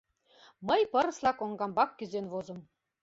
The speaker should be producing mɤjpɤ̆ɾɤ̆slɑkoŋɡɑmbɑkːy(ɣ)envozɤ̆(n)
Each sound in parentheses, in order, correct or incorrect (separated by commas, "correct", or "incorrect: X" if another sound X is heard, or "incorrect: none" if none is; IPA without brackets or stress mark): incorrect: z, incorrect: m